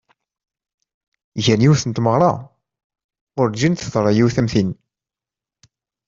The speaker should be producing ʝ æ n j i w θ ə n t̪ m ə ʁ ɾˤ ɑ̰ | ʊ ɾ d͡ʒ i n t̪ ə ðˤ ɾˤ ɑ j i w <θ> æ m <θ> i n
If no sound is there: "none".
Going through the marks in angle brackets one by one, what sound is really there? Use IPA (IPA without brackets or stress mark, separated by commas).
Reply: θ, θ